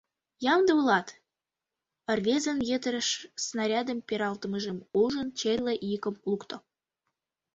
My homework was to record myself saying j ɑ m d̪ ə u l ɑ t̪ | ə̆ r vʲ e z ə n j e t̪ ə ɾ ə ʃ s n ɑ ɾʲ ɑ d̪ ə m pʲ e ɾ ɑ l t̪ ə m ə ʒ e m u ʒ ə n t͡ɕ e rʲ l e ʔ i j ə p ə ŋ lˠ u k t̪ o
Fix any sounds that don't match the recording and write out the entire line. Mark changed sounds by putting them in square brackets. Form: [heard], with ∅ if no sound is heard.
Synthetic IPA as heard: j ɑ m d̪ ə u l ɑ t̪ | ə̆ r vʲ e z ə n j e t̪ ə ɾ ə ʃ s n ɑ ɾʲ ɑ d̪ ə m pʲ e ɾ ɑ l t̪ ə m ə ʒ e m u ʒ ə n t͡ɕ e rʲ l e ʔ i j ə [k] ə [m] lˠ u k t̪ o